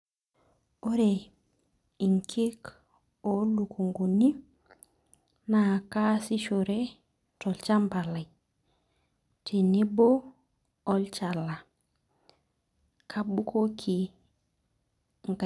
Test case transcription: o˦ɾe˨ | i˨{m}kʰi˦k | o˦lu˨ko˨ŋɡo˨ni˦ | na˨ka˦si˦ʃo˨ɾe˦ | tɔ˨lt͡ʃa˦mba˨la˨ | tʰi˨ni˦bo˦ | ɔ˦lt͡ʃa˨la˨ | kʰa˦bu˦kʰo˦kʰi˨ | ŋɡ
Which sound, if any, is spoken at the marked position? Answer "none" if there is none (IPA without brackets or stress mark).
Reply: ŋ